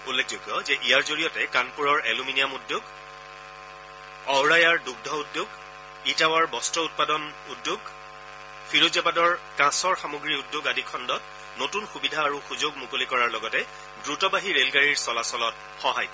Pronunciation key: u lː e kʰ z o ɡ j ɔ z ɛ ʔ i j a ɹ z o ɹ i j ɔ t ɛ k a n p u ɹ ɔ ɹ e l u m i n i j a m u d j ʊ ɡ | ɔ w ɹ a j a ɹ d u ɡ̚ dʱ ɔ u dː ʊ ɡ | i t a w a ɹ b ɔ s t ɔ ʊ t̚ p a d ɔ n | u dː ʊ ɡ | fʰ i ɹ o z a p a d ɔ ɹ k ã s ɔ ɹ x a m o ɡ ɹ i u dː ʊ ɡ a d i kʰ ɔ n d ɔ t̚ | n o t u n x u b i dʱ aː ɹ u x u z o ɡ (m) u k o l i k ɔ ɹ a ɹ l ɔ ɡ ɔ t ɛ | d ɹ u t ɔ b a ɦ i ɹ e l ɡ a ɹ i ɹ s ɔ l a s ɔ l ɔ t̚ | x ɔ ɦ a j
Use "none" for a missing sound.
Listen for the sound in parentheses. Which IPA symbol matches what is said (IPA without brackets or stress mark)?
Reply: m